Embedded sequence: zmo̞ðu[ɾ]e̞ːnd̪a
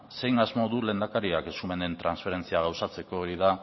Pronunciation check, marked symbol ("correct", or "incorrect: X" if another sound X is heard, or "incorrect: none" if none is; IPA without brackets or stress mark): incorrect: l